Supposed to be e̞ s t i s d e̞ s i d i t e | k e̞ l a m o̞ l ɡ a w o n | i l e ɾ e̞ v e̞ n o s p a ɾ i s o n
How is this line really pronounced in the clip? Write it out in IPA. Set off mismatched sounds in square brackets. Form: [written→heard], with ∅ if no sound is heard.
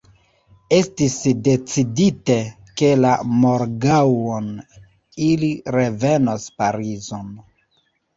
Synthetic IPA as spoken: e̞ s t i s d e̞ [s→t͡s] i d i t e | k e̞ l a m o̞ [l→ɾ] ɡ a w o n | i l [e→i] ɾ e̞ v e̞ n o s p a ɾ i [s→z] o n